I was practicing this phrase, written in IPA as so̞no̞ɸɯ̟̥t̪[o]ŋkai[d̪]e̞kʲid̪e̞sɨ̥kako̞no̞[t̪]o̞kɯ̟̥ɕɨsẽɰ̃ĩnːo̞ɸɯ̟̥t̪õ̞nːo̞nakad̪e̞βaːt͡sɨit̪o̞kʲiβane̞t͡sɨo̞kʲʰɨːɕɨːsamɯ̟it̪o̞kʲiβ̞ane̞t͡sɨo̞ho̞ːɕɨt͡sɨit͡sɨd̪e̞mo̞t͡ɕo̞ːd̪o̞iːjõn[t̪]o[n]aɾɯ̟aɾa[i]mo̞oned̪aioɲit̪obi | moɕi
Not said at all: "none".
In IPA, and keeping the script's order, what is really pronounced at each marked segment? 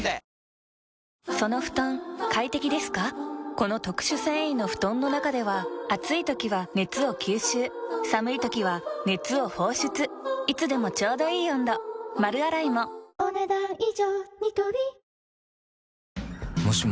õ, t̪, t̪, d̪, m, i

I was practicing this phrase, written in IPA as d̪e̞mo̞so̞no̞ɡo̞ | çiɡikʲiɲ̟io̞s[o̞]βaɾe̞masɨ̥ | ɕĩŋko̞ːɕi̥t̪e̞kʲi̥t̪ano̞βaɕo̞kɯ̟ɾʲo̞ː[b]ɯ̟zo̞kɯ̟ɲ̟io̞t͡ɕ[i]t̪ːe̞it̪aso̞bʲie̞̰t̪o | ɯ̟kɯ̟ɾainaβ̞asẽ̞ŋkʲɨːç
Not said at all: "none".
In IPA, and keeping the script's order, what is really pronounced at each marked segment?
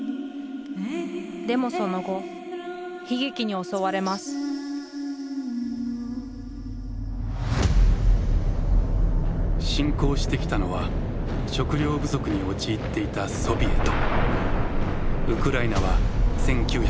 o̞, b, iː

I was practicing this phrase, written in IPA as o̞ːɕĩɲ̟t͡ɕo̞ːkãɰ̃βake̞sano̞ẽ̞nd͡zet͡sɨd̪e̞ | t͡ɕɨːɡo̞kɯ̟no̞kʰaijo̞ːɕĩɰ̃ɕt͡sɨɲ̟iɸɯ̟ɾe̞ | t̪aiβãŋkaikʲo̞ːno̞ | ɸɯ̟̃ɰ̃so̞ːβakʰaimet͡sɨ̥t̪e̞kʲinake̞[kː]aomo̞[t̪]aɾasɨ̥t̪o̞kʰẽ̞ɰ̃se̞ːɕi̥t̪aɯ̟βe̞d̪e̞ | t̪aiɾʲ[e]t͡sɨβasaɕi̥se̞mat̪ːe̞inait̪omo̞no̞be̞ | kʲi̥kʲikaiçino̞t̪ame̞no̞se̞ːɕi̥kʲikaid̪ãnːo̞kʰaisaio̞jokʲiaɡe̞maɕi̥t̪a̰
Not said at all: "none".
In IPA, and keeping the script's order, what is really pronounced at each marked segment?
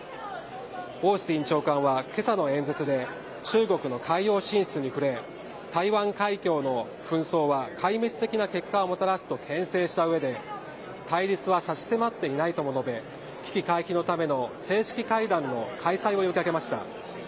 kː, t̪, i

